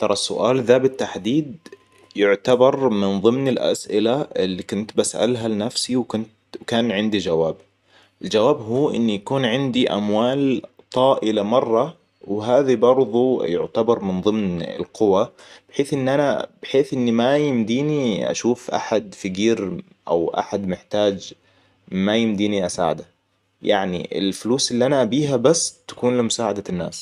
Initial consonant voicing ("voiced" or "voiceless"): voiceless